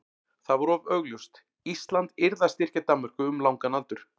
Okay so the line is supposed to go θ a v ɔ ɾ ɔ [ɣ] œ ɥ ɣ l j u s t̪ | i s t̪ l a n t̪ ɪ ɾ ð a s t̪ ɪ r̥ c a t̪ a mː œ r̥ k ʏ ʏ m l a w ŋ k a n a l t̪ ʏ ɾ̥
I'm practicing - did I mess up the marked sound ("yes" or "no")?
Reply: yes